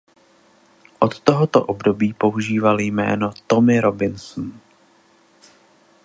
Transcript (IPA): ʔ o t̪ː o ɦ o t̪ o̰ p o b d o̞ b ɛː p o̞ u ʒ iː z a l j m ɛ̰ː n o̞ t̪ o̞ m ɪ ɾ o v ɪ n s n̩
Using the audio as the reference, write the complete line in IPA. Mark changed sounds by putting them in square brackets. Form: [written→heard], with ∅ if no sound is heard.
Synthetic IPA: ʔ o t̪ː o ɦ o t̪ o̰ [p→ʔ] o b d o̞ b [ɛː→iː] p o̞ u ʒ iː [z→v] a l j m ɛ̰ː n o̞ t̪ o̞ m ɪ ɾ o [v→b] ɪ n s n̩